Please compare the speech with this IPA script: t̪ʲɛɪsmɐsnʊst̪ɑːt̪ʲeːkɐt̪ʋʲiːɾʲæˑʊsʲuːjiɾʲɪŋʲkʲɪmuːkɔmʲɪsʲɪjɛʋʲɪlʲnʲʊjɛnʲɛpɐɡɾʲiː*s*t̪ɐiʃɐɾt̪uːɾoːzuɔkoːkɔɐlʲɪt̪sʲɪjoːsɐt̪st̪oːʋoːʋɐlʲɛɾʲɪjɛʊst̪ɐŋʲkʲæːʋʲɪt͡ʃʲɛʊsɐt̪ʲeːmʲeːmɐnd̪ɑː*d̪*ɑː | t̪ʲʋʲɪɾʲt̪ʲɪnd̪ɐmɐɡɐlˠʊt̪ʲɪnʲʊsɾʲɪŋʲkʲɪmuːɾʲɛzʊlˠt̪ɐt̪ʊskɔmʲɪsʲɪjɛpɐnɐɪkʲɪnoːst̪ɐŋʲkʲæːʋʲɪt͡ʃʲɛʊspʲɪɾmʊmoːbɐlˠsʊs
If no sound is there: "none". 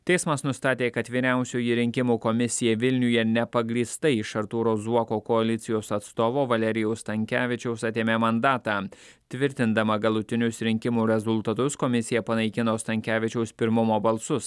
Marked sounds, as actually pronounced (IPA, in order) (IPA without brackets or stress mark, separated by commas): s, t̪